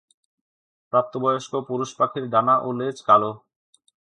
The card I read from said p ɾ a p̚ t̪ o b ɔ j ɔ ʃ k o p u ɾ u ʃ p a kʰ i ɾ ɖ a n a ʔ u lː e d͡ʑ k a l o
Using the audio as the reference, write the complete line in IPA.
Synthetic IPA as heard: p ɾ a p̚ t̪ o b ɔ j o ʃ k o p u ɾ u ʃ p a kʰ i ɾ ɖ a n a ʔ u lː e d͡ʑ k a l o